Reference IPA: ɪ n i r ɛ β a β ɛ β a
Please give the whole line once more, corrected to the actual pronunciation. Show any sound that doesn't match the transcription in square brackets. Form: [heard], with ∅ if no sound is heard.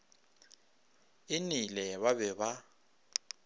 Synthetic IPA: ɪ n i [l] ɛ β a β ɛ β a